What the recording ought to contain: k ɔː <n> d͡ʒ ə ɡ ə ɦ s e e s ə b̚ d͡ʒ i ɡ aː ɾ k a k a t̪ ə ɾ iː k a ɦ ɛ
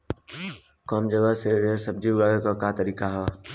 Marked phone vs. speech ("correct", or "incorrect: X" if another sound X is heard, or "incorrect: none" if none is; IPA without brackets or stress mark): incorrect: m